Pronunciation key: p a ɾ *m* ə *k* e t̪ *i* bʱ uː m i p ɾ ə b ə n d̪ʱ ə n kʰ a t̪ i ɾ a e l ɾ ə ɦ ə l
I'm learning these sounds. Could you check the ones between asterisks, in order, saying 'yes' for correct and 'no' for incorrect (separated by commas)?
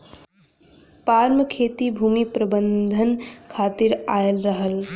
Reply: yes, no, yes